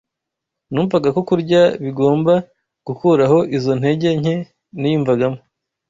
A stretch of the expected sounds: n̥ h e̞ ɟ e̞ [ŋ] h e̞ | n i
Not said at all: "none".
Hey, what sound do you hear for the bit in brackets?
ɲ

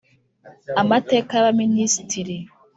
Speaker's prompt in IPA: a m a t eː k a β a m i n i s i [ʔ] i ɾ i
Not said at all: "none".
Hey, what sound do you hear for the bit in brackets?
t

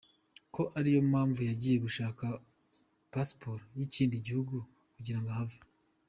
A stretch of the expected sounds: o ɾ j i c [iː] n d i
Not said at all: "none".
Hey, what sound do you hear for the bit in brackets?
iː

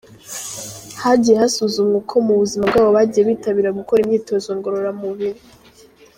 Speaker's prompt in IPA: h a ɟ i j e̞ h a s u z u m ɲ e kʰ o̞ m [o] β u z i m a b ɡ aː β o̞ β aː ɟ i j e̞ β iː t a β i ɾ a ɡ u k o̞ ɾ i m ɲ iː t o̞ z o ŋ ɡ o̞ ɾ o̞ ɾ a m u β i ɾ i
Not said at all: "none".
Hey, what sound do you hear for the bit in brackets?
u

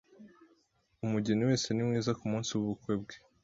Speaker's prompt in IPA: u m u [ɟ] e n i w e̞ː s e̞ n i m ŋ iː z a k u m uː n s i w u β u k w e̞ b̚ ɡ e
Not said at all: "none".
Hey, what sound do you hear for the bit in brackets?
ɟ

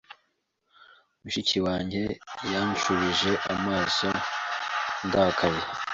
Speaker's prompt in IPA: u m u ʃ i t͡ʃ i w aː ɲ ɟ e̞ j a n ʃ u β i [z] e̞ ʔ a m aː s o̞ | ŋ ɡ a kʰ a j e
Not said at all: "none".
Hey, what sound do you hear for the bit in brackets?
ʒ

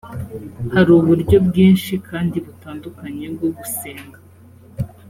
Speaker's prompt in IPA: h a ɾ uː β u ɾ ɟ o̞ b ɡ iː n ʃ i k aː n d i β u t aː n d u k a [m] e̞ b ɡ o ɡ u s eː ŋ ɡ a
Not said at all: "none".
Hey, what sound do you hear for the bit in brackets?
ɲ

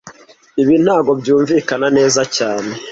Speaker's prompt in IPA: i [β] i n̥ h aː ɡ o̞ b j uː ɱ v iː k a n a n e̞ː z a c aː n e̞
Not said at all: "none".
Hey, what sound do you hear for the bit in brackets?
β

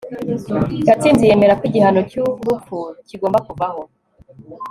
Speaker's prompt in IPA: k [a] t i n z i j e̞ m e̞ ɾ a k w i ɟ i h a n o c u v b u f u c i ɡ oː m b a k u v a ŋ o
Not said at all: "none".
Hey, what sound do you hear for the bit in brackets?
a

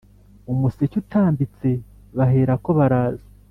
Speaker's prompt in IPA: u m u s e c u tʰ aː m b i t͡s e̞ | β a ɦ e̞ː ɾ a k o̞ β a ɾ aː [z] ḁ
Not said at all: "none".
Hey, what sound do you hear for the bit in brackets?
z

